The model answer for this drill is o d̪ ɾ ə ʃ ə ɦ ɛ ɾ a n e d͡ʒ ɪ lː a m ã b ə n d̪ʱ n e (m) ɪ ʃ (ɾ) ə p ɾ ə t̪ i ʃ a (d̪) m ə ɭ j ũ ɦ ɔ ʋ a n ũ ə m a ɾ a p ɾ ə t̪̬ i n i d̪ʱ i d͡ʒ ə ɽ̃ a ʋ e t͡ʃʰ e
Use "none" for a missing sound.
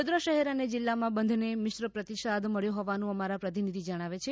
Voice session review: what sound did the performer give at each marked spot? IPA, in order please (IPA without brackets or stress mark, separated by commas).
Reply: m, ɾ, d̪